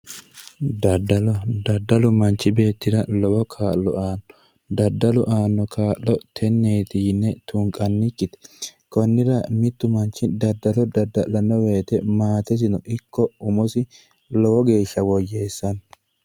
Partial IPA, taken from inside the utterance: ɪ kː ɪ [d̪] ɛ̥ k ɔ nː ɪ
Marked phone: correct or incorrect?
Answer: incorrect: t̪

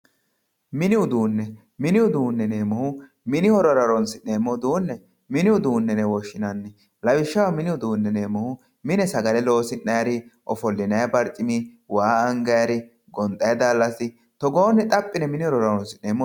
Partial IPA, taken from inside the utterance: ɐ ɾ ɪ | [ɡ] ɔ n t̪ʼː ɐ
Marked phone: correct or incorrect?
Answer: correct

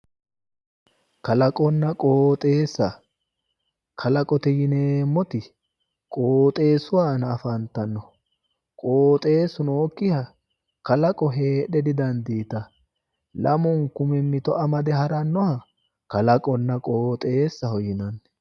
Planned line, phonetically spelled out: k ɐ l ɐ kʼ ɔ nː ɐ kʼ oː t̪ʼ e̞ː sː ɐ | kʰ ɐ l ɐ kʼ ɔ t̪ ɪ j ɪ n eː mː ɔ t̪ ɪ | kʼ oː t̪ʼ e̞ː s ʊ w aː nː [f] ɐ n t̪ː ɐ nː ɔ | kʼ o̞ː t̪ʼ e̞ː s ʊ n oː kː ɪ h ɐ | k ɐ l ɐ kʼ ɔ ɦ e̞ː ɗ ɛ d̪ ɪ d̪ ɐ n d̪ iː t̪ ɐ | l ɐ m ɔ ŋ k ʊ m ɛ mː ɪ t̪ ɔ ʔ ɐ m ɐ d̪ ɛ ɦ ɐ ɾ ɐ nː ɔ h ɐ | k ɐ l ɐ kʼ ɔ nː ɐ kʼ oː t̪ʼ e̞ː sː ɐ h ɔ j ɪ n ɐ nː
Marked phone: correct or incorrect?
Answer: correct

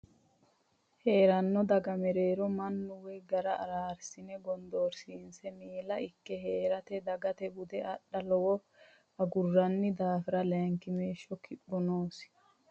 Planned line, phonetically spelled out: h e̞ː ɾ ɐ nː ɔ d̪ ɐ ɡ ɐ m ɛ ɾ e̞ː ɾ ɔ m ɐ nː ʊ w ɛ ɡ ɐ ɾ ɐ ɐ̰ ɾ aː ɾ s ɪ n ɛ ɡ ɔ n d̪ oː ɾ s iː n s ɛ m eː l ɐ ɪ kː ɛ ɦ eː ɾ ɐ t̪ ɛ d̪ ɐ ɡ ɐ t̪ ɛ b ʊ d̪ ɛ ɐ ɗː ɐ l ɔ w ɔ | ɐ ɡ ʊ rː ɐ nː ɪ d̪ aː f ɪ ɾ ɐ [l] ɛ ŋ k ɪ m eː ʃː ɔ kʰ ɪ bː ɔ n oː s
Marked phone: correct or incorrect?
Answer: correct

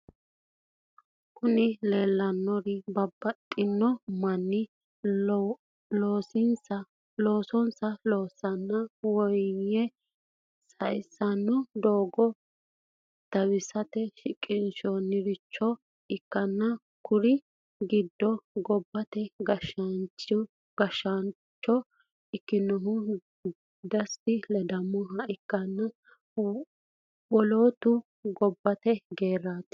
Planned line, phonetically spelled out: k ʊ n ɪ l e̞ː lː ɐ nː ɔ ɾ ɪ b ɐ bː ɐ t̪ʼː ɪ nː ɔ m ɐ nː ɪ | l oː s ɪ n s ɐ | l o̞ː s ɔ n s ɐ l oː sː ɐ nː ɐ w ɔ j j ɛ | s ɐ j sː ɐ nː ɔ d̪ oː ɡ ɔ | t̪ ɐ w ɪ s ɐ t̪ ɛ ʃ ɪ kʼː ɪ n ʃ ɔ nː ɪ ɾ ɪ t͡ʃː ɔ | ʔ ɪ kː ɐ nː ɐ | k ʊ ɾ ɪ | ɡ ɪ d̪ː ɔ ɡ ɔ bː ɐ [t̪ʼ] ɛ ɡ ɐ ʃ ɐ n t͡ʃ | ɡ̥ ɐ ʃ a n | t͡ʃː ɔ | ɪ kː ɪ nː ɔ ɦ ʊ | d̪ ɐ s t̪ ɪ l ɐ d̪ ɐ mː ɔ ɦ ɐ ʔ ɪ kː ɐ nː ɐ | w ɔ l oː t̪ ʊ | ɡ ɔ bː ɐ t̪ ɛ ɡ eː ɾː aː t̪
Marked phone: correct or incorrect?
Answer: incorrect: t̪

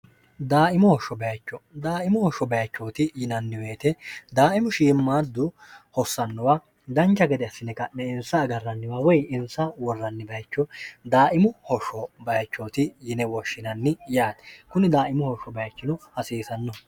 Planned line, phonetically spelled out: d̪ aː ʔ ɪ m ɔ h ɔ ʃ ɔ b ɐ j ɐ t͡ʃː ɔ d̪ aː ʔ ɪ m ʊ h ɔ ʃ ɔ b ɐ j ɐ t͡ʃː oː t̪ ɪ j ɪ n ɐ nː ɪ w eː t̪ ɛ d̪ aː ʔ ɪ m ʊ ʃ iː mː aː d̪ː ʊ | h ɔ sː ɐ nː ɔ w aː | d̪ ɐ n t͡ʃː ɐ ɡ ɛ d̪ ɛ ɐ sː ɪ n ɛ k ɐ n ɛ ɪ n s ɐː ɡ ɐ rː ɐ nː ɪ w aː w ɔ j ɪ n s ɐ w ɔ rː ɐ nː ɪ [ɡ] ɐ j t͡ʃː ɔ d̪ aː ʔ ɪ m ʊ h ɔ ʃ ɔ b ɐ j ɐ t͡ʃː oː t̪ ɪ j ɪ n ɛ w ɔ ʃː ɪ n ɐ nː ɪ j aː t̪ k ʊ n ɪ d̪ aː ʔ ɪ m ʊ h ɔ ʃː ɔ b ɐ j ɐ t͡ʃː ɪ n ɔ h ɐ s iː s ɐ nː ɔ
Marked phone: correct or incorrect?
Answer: incorrect: b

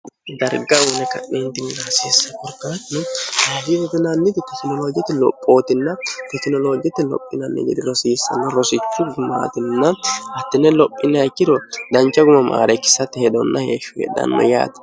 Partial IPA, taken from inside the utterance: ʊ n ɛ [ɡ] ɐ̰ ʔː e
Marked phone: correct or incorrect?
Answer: incorrect: k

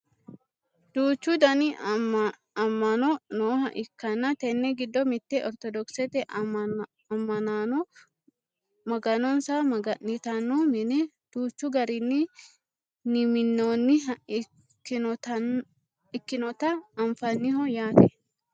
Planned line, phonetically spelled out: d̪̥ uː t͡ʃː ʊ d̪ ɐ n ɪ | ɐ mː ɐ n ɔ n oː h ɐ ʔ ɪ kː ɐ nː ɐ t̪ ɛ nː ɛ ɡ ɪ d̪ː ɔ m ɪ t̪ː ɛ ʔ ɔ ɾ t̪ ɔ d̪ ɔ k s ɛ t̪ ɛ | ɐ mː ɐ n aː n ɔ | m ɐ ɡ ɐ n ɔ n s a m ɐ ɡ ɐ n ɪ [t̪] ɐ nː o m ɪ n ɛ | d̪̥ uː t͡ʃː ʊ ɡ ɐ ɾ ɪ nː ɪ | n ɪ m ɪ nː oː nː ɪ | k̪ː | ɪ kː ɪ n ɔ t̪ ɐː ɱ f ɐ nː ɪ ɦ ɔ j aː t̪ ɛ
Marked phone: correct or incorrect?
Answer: correct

